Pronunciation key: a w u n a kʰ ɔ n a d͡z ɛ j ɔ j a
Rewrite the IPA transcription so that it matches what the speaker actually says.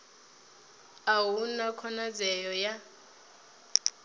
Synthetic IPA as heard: a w u n a kʰ ɔ n a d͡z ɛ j ɔ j a